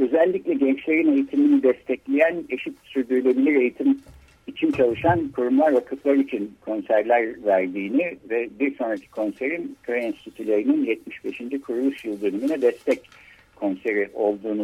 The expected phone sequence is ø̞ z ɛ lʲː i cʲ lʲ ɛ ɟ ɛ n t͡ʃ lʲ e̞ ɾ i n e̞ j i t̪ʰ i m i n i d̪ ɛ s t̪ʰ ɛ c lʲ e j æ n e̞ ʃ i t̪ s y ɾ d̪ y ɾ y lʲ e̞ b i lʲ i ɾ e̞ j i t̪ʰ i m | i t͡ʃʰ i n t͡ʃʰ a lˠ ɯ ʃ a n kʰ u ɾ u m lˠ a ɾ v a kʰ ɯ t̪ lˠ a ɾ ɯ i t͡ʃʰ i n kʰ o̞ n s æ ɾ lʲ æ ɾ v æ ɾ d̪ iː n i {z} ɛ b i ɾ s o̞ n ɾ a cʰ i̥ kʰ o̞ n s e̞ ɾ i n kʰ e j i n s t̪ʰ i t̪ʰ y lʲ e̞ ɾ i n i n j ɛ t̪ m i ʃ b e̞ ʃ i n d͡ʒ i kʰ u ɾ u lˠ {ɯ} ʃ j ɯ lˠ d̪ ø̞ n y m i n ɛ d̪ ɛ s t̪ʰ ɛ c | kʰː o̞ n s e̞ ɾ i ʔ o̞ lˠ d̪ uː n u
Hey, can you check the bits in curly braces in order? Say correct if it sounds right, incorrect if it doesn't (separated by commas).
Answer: incorrect, incorrect